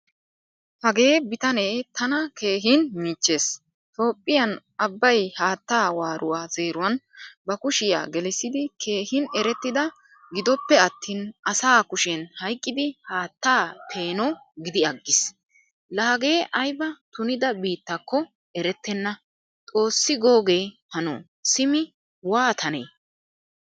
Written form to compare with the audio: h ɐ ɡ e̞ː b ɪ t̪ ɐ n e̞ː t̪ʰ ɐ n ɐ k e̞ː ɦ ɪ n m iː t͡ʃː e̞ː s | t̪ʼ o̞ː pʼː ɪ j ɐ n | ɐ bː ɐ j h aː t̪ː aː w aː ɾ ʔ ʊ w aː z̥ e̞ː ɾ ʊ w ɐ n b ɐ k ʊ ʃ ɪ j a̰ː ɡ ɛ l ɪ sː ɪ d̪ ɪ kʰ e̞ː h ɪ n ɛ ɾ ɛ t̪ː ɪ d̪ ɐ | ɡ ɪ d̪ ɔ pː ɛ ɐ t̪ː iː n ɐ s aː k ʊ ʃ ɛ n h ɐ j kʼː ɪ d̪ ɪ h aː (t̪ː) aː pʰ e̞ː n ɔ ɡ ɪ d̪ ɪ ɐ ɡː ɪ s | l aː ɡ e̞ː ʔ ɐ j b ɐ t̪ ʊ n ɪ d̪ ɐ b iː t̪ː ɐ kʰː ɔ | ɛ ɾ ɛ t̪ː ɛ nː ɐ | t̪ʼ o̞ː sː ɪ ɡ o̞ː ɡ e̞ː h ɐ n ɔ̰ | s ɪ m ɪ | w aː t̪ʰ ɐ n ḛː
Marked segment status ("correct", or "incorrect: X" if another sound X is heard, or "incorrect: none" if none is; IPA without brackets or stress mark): correct